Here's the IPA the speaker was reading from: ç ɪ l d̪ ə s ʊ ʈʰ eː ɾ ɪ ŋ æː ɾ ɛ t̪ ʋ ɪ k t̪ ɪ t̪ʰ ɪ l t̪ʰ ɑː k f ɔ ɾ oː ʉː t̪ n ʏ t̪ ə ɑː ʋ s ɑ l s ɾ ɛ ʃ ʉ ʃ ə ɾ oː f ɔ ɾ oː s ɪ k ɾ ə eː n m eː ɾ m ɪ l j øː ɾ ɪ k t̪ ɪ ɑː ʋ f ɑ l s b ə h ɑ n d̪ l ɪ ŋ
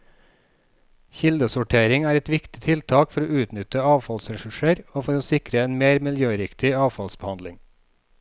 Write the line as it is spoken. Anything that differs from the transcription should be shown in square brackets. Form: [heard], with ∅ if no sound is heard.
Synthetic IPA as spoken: ç ɪ l d̪ ə s ʊ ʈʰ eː ɾ ɪ ŋ æː ɾ ɛ t̪ ʋ ɪ k t̪ ɪ t̪ʰ ɪ l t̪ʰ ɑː k f ɔ ɾ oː ʉː t̪ n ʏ t̪ ə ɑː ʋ [f] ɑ l s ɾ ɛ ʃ ʉ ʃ ə ɾ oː f ɔ ɾ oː s ɪ k ɾ ə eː n m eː ɾ m ɪ l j øː ɾ ɪ k t̪ ɪ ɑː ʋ f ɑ l s b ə h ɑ n d̪ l ɪ ŋ